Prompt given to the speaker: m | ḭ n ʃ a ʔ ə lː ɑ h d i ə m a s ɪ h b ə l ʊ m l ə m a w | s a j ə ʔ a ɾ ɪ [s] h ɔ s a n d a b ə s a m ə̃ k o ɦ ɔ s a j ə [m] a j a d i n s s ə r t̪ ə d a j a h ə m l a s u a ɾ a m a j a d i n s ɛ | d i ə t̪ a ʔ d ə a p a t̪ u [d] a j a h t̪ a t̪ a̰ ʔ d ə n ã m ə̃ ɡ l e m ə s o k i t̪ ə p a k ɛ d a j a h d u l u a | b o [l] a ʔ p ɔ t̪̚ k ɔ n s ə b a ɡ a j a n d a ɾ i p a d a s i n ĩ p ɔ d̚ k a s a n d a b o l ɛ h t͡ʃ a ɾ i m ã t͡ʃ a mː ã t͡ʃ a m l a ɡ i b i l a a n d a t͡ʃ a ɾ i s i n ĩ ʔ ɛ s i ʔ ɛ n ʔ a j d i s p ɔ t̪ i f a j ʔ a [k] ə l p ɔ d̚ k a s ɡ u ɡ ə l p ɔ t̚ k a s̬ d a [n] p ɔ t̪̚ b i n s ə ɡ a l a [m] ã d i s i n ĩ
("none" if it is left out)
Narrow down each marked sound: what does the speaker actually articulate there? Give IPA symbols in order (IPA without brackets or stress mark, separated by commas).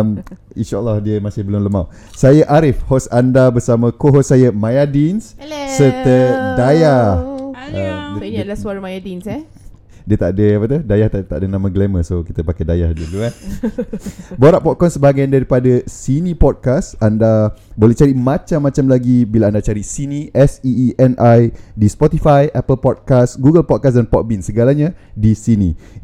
f, m, d, ɾ, p, n, ɲ